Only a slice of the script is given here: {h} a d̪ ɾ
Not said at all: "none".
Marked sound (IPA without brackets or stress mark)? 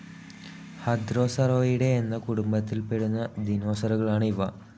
h